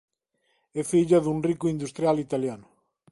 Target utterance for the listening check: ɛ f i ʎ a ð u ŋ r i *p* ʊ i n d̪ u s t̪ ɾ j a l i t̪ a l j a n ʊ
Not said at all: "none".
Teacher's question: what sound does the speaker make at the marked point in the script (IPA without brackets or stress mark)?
k